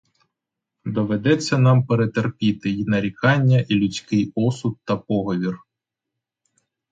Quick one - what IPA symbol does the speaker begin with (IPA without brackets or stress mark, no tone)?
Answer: d̪